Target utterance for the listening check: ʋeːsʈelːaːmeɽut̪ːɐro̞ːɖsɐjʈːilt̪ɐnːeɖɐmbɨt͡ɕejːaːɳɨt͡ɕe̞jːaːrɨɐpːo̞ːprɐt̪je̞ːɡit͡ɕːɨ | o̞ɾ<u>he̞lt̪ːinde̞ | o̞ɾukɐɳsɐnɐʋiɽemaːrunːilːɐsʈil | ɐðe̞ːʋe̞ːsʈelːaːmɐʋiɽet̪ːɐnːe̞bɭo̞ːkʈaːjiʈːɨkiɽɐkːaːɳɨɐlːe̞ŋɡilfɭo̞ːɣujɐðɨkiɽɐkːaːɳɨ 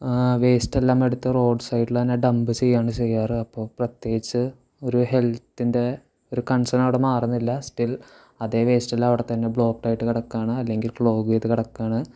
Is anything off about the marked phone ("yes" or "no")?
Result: no